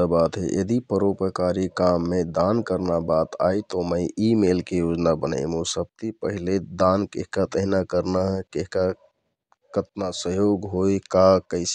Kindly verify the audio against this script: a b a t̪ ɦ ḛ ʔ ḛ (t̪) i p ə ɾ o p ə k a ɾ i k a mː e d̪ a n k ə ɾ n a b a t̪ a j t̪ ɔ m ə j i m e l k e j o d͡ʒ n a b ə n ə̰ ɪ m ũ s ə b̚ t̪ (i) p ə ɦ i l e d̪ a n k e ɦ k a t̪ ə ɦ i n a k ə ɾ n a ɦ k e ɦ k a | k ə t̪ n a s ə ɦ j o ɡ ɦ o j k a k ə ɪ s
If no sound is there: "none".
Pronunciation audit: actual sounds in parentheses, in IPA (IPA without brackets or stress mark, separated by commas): d̪, i